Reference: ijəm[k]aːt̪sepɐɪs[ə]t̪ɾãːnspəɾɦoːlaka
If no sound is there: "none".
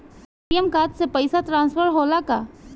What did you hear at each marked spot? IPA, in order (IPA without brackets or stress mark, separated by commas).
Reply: k, a